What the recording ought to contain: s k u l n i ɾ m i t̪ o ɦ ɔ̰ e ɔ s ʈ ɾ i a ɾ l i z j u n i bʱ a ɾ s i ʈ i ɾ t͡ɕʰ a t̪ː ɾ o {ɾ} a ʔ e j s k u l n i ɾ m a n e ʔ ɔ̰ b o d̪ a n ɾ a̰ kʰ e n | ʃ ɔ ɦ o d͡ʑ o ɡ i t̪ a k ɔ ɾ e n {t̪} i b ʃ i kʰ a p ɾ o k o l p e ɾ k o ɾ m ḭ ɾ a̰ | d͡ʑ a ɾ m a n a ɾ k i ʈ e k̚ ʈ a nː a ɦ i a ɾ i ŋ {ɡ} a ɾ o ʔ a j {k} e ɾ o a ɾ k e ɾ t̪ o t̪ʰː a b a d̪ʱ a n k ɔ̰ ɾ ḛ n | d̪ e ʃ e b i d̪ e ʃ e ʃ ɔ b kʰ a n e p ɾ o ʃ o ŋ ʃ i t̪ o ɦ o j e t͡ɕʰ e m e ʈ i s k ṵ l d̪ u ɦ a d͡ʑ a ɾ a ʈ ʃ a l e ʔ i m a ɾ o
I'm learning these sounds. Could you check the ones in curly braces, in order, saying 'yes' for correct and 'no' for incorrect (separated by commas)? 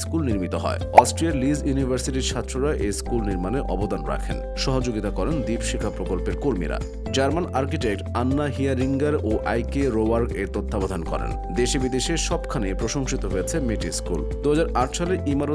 yes, no, yes, yes